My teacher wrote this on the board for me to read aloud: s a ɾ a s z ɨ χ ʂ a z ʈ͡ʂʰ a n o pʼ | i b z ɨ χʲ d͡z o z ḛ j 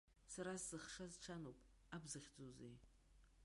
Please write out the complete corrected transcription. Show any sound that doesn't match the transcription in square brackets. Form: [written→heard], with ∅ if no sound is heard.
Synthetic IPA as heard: s a ɾ a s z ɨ χ ʂ a z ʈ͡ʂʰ a n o pʼ | [i→a] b z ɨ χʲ d͡z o z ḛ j